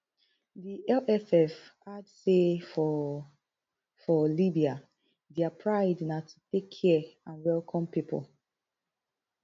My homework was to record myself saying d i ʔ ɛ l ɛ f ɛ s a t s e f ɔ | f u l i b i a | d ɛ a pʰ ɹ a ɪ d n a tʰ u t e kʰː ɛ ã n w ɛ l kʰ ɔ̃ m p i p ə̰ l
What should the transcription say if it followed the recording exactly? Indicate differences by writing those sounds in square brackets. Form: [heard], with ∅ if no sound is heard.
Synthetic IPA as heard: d i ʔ ɛ l ɛ f ɛ [f] a [d] s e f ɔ | f [ɔ] l i b i a | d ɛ a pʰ ɹ a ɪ d n a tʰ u t e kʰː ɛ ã n w ɛ l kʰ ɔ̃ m p i p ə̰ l